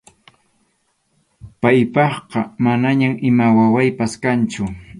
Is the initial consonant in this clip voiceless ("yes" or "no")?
yes